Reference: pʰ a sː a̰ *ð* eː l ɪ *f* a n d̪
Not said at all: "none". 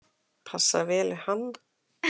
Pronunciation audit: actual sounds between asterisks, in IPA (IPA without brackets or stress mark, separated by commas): v, h